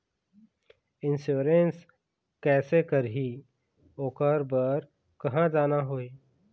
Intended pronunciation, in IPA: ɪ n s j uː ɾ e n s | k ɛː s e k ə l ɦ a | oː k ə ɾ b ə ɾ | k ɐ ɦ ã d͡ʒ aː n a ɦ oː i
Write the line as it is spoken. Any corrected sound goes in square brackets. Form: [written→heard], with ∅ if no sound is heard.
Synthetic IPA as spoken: ɪ n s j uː ɾ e n s | k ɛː s e k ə [l→ɾ] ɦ [a→i] | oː k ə ɾ b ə ɾ | k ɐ ɦ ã d͡ʒ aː n a ɦ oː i